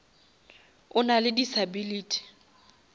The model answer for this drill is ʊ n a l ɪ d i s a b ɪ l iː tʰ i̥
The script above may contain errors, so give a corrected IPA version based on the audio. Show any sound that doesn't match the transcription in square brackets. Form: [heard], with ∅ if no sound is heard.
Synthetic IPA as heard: ʊ n a l ɪ d i s a b [i] l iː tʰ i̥